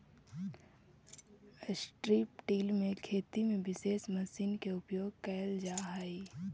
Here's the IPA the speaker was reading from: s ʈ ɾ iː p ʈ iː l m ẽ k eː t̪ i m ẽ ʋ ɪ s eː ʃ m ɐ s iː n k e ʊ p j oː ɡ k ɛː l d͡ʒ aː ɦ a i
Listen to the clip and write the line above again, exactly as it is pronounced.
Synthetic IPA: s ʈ ɾ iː p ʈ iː l m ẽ kʰ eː t̪ i m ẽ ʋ ɪ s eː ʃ m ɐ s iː n k e ʊ p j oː ɡ k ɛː l d͡ʒ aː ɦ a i